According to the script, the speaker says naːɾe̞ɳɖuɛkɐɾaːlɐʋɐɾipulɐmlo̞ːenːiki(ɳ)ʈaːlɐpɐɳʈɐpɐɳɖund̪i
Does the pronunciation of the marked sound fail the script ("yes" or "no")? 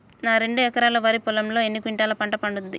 no